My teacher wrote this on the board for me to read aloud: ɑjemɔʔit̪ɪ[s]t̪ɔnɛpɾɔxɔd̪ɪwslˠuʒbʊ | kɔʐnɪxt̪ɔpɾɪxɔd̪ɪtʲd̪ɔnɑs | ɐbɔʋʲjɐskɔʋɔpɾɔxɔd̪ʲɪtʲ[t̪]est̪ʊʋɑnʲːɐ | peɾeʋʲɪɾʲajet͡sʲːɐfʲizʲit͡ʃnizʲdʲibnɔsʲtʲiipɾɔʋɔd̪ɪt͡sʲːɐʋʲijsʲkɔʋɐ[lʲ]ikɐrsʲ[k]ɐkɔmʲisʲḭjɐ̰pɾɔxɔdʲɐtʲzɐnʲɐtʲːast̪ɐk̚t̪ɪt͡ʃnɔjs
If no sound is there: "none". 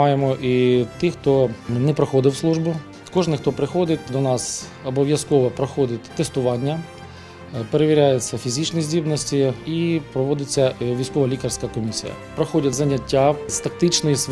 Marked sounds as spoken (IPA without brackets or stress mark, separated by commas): x, t̪, lʲ, k